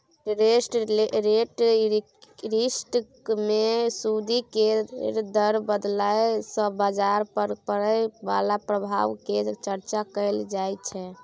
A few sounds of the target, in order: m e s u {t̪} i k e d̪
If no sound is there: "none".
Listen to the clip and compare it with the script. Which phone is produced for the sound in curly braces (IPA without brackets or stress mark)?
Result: d̪